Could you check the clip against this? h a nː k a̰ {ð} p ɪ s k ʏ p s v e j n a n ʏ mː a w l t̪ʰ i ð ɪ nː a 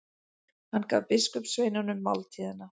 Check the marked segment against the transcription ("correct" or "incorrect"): incorrect